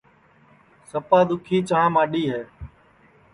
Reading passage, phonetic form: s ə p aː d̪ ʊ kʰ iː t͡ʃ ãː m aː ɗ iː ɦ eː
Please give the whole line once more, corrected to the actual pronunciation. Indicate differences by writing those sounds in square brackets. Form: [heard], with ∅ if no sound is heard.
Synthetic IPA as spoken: s ə p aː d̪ ʊ kʰ iː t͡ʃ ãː m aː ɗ iː ɦ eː